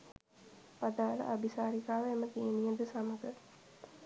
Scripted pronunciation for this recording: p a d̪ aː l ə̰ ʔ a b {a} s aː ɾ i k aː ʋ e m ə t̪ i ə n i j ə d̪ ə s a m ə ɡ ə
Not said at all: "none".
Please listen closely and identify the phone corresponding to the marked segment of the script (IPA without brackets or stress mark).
i